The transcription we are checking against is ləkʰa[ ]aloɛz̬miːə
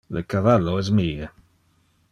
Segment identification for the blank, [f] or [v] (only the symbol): v